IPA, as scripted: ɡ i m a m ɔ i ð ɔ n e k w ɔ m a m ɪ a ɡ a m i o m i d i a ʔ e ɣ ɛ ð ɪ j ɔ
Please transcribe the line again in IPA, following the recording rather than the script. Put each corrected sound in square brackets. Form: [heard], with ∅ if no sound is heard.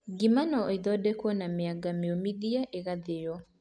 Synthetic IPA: ɡ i m a [n] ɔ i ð ɔ [d] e k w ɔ [n] a m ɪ a ɡ a m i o m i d i a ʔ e ɣ [a] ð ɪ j ɔ